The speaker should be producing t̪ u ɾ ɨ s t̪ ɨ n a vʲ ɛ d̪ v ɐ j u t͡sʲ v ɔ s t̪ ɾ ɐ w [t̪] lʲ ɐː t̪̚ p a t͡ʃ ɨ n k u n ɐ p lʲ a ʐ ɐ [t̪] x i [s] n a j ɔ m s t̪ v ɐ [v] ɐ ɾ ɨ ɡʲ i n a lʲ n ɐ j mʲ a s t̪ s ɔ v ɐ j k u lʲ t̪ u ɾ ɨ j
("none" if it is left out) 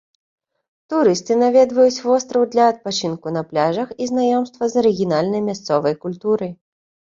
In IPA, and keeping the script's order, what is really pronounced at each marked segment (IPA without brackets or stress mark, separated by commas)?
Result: d̪, none, z, z